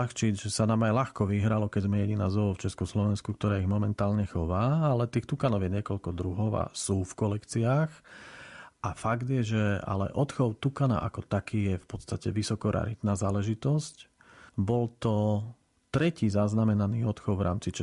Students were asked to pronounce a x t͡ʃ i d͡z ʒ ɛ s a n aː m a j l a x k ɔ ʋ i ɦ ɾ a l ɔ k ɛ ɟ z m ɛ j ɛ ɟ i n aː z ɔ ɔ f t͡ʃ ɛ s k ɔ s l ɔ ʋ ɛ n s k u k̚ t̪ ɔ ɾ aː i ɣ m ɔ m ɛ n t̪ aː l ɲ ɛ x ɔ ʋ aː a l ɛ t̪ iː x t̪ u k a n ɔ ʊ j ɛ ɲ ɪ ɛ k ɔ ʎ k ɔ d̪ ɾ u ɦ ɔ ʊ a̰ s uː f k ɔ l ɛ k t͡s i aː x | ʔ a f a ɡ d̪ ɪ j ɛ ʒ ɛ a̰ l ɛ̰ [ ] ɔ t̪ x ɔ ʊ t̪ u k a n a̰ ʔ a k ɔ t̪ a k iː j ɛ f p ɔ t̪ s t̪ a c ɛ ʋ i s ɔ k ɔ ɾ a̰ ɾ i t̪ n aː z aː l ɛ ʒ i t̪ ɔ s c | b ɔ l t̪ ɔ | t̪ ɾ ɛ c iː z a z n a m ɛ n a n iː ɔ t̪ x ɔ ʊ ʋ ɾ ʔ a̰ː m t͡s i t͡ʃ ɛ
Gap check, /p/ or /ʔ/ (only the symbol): ʔ